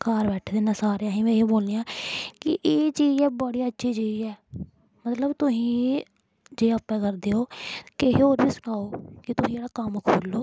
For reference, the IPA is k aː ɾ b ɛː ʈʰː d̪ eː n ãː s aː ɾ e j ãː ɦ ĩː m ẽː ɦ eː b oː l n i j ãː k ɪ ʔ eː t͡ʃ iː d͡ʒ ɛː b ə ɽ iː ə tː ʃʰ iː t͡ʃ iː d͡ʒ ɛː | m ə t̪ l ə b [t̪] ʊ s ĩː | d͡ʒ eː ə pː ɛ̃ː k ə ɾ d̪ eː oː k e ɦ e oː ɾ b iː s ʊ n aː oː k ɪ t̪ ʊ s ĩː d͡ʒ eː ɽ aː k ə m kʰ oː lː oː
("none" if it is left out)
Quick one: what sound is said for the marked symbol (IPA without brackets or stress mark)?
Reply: t̪